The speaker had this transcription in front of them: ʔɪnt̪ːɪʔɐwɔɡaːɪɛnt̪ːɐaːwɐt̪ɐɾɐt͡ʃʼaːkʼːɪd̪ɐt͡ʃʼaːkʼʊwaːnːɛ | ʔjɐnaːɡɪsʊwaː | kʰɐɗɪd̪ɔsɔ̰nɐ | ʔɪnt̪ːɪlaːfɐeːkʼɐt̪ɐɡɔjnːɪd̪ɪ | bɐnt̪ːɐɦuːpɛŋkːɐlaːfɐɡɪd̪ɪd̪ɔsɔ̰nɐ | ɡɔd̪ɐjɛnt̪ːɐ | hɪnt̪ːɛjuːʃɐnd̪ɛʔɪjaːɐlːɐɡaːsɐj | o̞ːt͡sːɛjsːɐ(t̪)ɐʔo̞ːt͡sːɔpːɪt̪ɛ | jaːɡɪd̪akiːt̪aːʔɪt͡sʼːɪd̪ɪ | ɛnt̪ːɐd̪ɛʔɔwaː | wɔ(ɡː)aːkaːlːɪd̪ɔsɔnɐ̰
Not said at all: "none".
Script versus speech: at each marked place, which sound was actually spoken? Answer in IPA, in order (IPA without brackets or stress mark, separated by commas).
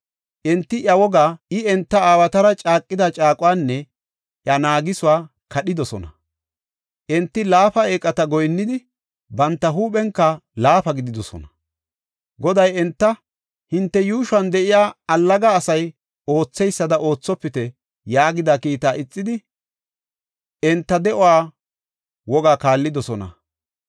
d̪, ɡ